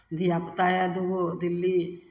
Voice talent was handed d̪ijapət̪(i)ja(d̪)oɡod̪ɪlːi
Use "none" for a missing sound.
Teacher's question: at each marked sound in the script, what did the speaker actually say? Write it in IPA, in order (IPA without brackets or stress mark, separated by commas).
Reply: a, d̪